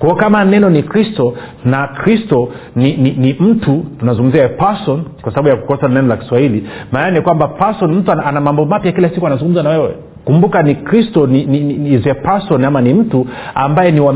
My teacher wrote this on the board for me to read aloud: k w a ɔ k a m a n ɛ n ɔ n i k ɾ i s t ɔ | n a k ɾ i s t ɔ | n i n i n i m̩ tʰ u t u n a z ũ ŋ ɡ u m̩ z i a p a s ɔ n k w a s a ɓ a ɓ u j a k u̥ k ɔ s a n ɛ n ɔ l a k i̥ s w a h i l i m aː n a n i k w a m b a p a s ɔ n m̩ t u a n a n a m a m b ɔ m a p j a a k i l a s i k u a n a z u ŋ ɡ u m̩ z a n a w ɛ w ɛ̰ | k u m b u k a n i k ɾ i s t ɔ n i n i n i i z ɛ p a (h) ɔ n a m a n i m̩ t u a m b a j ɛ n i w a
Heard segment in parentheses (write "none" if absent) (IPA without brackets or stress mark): s